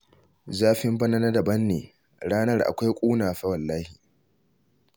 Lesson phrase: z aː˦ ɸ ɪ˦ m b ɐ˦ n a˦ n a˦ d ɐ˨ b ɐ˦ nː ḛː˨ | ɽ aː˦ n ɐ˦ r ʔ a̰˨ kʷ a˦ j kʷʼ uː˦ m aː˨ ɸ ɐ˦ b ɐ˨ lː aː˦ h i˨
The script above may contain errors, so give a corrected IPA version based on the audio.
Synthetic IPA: z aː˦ ɸ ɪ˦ m b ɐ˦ n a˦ n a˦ d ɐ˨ b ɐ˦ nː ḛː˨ | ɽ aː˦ n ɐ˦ r ʔ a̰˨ kʷ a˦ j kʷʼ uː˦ n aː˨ ɸ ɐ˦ w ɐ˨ lː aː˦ h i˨